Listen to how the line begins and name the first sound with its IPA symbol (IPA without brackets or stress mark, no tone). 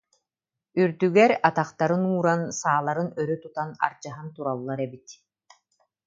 y